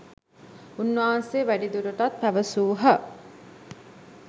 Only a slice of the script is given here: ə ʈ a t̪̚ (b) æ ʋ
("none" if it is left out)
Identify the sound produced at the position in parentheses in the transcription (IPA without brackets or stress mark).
p